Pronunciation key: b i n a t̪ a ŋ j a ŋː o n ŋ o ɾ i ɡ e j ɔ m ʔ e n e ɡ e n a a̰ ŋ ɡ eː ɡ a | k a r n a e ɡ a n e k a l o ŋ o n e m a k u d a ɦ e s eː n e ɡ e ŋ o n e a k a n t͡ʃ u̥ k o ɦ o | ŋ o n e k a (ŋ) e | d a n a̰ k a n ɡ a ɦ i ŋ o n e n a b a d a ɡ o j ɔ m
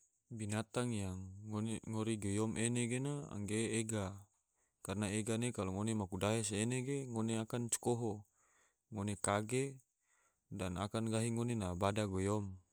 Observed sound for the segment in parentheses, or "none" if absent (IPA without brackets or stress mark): ɡ